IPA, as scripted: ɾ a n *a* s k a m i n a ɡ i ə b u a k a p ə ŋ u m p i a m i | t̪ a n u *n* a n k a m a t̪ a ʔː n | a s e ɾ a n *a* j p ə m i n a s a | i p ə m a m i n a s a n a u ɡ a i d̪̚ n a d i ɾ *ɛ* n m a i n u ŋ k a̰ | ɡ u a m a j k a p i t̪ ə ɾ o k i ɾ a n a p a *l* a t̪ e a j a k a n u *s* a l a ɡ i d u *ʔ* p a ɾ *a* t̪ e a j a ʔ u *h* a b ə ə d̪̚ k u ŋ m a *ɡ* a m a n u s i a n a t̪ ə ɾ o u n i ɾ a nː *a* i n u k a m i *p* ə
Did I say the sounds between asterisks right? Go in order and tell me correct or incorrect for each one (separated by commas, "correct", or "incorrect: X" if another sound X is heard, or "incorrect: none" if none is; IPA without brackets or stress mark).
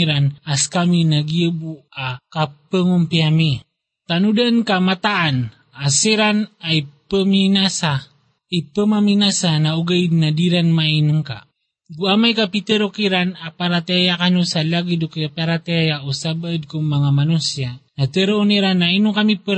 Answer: correct, incorrect: d, correct, incorrect: a, incorrect: ɾ, correct, incorrect: k, correct, incorrect: s, incorrect: ŋ, correct, correct